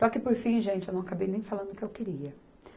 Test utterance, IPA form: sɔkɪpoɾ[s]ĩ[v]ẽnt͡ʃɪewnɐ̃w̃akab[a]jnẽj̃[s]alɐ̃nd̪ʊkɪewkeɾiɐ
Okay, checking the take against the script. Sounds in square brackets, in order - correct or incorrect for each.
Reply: incorrect, incorrect, incorrect, incorrect

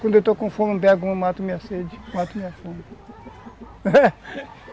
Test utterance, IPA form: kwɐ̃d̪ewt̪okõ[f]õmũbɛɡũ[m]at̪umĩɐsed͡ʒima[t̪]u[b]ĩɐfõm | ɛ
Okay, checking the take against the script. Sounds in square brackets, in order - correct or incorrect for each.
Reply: correct, correct, correct, incorrect

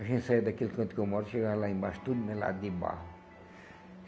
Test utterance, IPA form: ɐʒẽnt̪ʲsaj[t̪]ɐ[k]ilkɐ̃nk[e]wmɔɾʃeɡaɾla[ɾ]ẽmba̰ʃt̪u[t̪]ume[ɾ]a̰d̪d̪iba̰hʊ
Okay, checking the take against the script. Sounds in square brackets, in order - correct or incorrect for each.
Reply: incorrect, correct, correct, incorrect, incorrect, incorrect

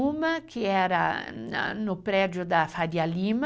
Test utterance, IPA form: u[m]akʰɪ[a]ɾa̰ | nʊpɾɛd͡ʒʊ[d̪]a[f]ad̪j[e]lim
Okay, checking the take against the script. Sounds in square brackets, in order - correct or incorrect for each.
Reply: correct, incorrect, correct, correct, incorrect

